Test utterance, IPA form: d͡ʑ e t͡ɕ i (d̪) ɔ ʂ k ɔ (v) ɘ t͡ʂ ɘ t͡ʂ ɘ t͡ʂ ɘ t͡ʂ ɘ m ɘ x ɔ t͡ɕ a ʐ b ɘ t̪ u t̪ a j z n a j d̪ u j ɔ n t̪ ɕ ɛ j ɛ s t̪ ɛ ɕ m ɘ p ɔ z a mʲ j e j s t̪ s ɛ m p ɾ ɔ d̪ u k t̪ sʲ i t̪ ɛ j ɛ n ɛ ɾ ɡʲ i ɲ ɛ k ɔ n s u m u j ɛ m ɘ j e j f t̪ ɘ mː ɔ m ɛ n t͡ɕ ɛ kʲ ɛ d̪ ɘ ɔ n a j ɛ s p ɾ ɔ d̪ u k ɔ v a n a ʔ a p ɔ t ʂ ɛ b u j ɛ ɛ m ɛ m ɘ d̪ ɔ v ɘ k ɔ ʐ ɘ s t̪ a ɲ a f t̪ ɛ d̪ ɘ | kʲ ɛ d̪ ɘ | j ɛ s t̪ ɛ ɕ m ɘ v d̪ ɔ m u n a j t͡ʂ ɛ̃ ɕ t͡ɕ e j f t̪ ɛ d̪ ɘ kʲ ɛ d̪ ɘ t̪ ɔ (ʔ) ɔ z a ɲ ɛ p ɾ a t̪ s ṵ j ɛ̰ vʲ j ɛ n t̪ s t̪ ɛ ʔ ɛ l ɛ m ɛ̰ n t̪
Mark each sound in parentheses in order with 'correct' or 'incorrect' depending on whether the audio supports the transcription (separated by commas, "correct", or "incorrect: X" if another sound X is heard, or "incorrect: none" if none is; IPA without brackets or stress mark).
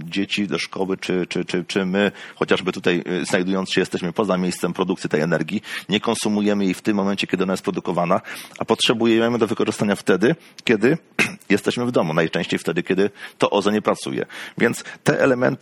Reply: correct, incorrect: w, correct